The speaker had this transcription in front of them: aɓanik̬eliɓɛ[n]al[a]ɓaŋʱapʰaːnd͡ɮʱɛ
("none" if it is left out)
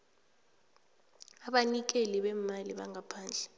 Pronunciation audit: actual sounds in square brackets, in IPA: m, i

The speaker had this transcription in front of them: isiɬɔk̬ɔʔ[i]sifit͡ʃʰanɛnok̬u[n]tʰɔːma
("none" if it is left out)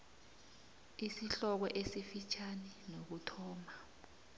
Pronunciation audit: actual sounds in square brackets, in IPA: e, none

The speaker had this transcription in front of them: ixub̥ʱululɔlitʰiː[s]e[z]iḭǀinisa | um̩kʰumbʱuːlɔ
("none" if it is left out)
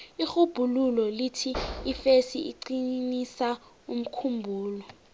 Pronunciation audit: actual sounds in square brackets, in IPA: f, s

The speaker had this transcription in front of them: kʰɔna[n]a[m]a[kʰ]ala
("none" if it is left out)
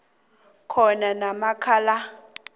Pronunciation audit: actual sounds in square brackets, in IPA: n, m, kʰ

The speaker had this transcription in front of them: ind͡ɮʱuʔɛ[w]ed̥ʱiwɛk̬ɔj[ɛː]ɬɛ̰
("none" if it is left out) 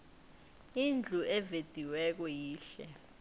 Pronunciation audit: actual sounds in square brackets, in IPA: v, iː

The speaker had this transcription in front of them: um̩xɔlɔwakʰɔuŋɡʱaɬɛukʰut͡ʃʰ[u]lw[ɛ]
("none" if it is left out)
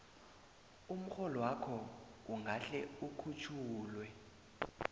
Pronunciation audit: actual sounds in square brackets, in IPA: uː, ɛ

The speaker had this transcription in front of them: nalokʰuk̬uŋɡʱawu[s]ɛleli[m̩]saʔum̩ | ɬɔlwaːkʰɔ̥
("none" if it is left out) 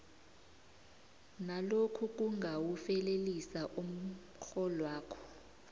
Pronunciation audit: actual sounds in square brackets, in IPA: f, none

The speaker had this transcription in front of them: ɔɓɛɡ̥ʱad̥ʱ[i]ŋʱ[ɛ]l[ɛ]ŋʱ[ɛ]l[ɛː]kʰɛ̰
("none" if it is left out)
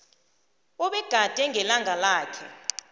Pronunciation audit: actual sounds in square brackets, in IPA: ɛ, ɛ, a, a, aː

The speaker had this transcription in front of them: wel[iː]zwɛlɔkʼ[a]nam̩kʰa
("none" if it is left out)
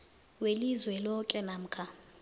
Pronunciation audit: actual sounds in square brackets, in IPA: i, ɛ

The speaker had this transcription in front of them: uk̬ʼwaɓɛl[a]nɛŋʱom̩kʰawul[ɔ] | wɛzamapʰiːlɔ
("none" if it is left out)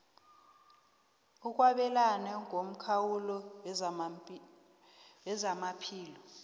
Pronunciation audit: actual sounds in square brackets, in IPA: a, ɔ

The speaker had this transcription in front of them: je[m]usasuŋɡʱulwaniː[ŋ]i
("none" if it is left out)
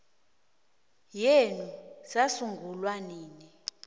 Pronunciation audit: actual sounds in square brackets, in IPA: n, n

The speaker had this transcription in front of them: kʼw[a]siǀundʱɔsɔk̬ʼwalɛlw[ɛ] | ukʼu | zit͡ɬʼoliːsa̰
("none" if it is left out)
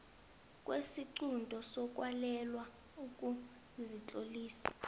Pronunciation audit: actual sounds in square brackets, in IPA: e, a

